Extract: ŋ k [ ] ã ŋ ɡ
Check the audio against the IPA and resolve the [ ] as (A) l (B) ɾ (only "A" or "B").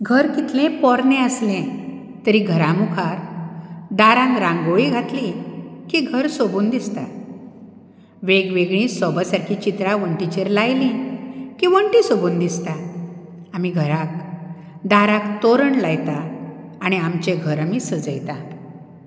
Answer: B